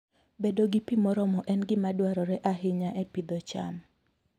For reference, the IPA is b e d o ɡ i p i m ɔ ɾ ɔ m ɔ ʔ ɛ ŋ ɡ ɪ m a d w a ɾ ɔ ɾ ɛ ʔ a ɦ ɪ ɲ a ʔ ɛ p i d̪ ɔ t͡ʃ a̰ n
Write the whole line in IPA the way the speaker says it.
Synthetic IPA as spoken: b e d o ɡ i p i m ɔ ɾ ɔ m ɔ ʔ ɛ n ɡ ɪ m a d w a ɾ ɔ ɾ ɛ ʔ a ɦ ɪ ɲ a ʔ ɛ p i d̪ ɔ t͡ʃ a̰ m